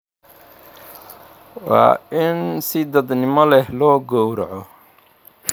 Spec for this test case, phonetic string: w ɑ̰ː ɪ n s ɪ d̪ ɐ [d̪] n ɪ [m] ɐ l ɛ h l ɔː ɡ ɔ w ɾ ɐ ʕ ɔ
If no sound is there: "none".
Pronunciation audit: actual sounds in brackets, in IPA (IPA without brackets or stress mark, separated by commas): d̪, m